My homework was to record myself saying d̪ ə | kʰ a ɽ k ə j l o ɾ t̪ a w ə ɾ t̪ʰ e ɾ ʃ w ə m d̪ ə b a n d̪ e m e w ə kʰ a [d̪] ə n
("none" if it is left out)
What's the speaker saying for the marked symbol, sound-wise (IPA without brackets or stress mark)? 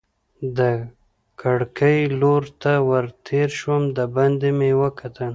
t̪